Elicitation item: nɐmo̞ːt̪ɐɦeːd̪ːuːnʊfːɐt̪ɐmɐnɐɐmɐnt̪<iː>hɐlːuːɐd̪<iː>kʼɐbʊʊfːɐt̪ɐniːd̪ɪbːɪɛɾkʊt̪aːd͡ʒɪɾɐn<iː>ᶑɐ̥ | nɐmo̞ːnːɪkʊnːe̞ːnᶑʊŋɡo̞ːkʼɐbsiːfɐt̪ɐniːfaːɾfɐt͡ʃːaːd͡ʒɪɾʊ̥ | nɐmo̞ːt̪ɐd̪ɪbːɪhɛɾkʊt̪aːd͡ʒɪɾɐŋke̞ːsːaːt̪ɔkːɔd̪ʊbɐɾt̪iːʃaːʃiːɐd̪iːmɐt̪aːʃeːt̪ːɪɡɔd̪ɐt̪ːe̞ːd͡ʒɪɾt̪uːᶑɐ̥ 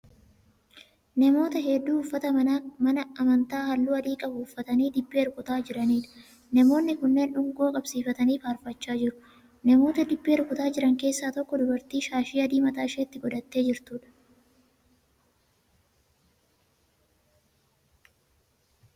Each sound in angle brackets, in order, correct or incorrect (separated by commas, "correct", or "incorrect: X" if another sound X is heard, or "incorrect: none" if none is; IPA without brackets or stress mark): incorrect: aː, correct, correct